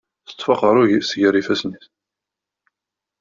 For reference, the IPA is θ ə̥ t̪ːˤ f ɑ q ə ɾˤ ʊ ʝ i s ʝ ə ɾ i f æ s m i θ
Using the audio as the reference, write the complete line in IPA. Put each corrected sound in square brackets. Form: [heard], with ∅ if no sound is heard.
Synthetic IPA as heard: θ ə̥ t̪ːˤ f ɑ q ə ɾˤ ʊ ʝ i s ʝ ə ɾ i f æ s [n] i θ